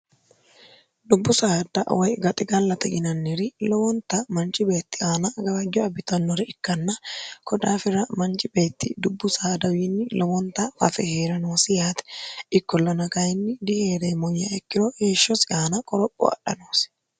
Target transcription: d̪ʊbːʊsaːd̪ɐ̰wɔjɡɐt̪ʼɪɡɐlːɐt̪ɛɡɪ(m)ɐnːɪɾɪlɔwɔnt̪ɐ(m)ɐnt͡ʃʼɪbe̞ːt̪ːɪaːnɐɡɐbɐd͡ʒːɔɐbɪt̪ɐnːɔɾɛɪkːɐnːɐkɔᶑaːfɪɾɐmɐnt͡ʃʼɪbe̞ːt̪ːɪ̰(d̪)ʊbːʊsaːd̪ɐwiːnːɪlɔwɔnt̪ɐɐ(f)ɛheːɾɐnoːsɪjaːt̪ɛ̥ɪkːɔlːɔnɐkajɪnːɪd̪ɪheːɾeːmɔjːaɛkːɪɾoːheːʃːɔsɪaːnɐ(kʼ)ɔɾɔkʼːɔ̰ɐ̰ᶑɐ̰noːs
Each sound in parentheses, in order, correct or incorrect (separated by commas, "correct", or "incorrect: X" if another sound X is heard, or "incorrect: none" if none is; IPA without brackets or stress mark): incorrect: n, correct, correct, correct, correct